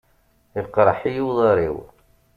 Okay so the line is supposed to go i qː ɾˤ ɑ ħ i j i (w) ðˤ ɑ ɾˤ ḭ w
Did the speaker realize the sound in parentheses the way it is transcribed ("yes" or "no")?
yes